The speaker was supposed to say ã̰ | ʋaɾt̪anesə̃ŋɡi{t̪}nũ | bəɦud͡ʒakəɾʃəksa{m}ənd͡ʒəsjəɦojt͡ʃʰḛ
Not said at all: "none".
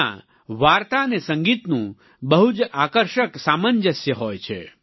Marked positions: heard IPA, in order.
t̪, m

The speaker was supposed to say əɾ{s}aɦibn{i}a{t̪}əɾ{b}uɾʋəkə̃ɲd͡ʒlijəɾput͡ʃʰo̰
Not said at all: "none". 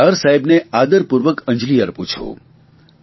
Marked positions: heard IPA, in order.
s, e, d̪, p

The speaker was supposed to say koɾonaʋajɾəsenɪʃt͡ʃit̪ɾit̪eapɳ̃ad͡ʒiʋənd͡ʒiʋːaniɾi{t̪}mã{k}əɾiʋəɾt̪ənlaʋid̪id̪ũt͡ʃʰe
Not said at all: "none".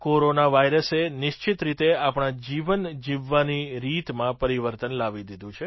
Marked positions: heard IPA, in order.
t̪, p

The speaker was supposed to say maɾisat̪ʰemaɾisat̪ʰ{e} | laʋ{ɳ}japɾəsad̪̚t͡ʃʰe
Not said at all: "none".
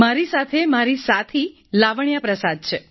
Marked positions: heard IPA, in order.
i, ɳ

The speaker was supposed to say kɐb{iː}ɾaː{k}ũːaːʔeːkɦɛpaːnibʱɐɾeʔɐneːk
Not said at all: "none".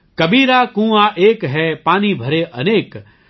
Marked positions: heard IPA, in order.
iː, k

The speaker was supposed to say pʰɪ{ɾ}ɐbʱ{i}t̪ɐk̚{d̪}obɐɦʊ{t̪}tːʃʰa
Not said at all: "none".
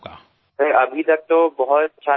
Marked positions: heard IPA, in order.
ɾ, i, t̪, t̪

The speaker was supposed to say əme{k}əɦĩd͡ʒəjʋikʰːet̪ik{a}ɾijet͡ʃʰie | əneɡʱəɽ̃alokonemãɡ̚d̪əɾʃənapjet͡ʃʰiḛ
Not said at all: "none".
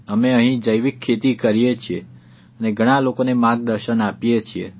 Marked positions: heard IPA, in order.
none, ə

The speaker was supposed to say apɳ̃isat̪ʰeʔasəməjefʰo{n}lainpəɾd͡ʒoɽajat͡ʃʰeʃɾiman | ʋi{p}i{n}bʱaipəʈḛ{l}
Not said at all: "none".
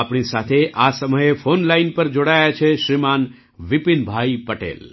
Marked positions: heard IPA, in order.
n, p, n, l

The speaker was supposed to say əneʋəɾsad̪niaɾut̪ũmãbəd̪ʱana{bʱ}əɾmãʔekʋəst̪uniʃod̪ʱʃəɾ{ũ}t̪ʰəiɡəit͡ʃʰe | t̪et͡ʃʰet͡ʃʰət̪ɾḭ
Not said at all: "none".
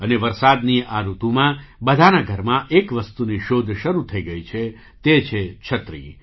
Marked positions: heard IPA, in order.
ɡʱ, u

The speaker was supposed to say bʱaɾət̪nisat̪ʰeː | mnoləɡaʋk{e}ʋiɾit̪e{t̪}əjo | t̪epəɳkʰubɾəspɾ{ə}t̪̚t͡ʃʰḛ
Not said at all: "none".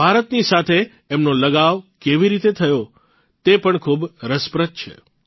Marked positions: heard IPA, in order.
e, t̪ʰ, ə

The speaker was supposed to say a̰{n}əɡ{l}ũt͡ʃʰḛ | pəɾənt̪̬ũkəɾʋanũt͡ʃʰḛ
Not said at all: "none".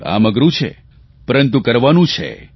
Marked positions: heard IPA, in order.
m, ɾ

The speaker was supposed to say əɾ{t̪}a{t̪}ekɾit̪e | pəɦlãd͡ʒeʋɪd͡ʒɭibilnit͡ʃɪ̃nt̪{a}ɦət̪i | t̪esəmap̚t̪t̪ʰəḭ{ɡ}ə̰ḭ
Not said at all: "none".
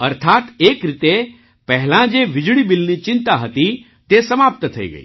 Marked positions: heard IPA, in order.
t̪ʰ, t̪, a, ɡ

